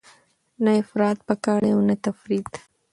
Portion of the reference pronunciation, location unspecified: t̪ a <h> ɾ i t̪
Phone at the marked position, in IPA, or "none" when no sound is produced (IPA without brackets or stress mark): f